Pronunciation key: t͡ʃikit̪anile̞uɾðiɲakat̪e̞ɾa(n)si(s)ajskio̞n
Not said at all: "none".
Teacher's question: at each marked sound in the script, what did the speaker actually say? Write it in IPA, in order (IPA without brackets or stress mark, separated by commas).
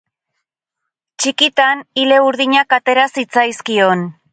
none, t͡s